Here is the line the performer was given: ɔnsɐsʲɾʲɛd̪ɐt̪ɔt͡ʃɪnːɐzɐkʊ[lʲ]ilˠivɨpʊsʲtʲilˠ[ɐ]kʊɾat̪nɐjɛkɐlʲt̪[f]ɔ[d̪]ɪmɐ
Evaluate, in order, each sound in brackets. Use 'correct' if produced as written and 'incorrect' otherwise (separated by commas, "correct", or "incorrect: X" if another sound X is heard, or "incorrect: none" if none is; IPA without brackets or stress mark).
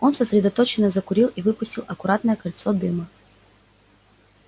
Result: incorrect: ɾʲ, correct, incorrect: s, correct